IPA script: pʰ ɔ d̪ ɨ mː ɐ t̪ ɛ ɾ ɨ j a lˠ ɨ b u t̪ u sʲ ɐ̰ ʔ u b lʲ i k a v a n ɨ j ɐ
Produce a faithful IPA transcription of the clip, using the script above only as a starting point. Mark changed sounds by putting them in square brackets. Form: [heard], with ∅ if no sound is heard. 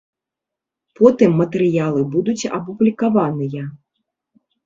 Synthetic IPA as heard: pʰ ɔ [t̪] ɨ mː ɐ t̪ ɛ ɾ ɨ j a lˠ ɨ b u [d̪] u [t͡sʲ] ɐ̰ [p] u b lʲ i k a v a n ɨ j ɐ